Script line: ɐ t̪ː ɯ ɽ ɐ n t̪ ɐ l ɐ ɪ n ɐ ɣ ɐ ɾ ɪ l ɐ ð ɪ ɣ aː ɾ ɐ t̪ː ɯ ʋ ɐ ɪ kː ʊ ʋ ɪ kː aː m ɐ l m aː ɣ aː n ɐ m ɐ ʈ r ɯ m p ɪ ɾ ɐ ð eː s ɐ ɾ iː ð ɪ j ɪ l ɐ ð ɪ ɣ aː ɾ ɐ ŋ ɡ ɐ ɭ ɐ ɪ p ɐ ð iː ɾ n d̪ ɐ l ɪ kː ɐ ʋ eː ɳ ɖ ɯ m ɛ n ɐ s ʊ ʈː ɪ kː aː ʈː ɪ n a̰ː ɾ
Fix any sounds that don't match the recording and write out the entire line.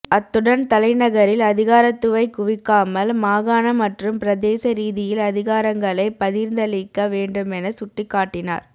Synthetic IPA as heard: ɐ t̪ː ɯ ɽ ɐ n t̪ ɐ l ɐ ɪ n ɐ ɣ ɐ ɾ ɪ l ɐ ð ɪ ɣ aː ɾ ɐ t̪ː ɯ ʋ ɐ ɪ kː ʊ ʋ ɪ kː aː m ɐ l m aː ɣ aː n ɐ m ɐ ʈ r ɯ m p ɪ ɾ ɐ ð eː s ɐ ɾ iː ð ɪ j ɪ l ɐ ð ɪ ɣ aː ɾ ɐ ŋ ɡ ɐ ɭ ɐ ɪ p ɐ ð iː ɾ n d̪ ɐ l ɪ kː ɐ ʋ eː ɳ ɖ ɯ m ɛ n ɐ s ʊ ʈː ɪ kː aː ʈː ɪ n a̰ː ɾ